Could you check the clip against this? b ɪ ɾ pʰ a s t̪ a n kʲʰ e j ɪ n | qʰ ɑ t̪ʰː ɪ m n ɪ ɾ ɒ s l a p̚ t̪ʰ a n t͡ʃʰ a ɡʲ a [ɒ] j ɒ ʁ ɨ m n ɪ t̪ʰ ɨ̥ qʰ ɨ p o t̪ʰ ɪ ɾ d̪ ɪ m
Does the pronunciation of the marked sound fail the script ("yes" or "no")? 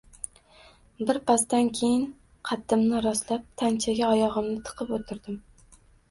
no